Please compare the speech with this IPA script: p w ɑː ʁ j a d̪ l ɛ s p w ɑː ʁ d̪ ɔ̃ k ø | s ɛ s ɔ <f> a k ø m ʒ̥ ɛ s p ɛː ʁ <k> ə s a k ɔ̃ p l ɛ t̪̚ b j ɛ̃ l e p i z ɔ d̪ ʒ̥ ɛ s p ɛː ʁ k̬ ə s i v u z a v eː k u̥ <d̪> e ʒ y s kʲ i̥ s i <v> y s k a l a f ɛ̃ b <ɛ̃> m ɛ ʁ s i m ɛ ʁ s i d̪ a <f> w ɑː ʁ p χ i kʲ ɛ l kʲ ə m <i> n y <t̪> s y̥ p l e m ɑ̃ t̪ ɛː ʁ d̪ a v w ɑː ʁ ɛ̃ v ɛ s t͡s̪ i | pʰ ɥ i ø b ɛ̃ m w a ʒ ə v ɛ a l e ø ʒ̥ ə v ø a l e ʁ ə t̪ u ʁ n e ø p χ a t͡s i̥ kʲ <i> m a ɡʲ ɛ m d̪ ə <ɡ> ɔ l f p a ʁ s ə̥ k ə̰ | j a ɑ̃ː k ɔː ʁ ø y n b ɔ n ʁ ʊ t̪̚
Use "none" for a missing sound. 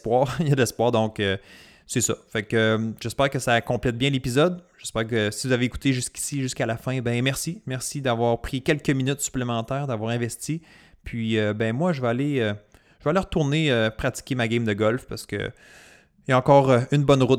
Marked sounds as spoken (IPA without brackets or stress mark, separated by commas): f, k, t̪, ʒ, ɛ̃, v, i, t̪, e, ɡ